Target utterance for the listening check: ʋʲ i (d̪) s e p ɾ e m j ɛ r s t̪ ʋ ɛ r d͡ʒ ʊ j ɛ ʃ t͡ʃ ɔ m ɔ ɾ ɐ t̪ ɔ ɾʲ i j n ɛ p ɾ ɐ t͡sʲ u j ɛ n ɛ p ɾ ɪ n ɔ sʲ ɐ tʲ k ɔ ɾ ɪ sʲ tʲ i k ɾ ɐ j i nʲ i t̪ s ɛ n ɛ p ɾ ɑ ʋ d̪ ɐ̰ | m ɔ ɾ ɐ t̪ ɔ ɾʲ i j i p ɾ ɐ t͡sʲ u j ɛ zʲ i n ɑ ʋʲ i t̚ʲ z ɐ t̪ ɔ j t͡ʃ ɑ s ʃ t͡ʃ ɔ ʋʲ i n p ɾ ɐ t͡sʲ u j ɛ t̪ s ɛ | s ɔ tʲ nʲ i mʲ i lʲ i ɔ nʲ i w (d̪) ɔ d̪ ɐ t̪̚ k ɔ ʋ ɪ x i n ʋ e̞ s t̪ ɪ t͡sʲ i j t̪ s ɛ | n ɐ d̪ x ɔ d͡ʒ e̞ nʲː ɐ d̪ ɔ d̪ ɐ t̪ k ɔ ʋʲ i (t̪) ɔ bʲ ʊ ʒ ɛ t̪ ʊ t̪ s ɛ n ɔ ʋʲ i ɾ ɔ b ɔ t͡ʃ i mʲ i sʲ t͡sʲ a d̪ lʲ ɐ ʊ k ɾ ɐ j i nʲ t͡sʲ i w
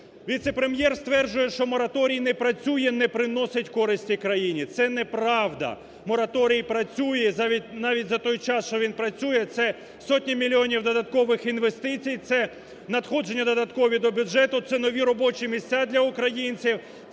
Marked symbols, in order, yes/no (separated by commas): no, yes, no